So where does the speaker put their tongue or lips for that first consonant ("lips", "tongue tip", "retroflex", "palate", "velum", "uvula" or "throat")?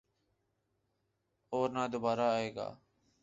tongue tip